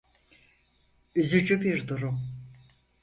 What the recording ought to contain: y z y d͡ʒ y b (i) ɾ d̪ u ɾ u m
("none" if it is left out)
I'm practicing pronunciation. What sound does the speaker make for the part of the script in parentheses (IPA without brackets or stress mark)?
i